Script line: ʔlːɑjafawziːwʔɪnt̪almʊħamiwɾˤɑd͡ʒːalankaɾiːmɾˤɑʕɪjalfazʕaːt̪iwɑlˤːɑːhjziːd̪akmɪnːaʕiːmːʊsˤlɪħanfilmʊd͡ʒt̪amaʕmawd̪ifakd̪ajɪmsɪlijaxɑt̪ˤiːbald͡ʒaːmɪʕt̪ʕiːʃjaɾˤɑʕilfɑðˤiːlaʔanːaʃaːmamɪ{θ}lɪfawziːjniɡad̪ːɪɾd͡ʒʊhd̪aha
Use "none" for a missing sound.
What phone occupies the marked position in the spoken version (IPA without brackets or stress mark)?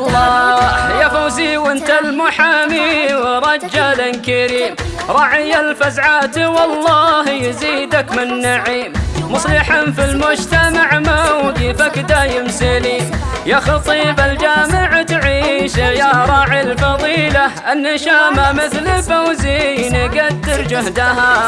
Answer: θ